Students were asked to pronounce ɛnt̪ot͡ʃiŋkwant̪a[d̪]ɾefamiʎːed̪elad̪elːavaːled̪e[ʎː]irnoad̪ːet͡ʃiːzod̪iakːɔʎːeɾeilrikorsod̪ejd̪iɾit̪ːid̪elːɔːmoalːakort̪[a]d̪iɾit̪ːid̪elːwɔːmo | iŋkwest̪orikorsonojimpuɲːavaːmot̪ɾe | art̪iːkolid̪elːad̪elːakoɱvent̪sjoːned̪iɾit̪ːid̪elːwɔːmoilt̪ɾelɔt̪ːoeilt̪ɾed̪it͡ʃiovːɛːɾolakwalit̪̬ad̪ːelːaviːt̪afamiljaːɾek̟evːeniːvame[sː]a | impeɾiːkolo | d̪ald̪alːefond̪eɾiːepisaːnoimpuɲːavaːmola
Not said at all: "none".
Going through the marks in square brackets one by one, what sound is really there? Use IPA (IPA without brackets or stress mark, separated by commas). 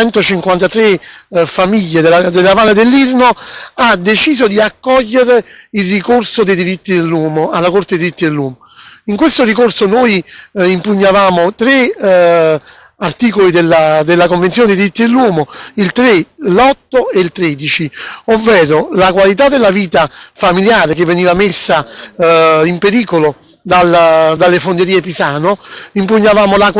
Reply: t̪, lː, e, sː